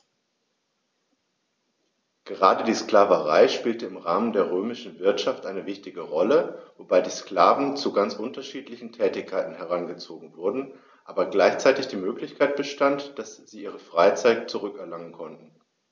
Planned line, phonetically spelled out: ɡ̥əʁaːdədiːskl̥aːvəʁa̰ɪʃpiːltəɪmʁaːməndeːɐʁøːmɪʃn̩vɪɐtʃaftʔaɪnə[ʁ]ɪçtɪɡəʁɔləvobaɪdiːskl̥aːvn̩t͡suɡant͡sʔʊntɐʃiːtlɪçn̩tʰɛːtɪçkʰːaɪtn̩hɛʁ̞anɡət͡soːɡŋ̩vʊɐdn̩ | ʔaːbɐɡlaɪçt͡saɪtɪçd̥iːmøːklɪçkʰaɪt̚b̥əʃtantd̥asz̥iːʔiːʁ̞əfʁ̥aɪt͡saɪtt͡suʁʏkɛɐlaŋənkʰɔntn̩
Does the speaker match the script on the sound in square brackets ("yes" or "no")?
no